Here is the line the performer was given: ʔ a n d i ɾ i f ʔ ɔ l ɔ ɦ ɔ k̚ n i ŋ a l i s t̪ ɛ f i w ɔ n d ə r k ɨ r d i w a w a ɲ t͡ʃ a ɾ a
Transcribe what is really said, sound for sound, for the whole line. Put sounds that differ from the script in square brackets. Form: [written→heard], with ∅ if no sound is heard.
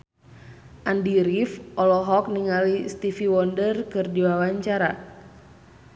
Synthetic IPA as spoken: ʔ a n d i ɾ i f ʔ ɔ l ɔ ɦ ɔ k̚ n i ŋ a l i s t̪ [ɛ→i] f i w ɔ n d ə r k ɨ r d i w a w a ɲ t͡ʃ a ɾ a